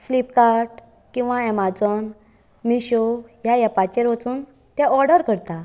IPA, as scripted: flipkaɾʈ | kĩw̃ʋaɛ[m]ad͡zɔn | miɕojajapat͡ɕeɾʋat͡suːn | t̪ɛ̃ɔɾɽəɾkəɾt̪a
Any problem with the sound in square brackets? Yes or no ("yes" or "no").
no